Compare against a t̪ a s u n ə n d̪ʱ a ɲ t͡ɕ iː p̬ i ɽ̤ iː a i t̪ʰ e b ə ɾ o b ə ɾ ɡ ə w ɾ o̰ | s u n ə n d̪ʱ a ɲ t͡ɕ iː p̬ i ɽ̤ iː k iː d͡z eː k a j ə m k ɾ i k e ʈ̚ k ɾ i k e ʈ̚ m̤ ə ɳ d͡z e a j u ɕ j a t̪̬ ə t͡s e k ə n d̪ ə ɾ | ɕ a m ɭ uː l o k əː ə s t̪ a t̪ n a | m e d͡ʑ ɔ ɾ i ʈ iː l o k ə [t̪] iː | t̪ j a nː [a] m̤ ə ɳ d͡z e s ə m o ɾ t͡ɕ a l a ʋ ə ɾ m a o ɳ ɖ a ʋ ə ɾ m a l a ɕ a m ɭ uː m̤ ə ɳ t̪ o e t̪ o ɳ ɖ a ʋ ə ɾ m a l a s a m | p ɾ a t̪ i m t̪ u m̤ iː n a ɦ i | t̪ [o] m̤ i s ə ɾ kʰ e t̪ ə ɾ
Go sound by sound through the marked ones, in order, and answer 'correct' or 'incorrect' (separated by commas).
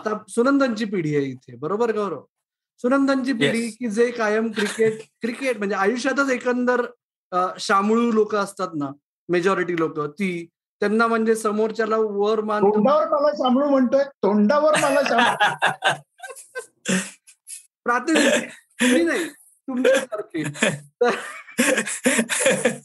correct, correct, incorrect